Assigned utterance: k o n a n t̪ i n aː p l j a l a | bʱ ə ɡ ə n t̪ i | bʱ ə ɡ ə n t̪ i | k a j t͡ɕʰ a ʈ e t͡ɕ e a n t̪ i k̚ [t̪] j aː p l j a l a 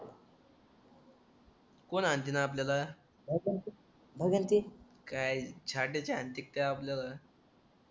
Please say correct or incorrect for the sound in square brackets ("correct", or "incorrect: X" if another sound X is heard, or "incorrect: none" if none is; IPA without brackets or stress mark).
correct